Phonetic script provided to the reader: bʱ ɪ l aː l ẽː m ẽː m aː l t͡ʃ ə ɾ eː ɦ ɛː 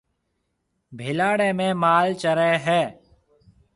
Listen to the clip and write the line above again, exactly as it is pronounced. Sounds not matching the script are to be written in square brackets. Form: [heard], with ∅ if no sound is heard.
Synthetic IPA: bʱ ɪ l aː [ɽ] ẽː m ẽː m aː l t͡ʃ ə ɾ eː ɦ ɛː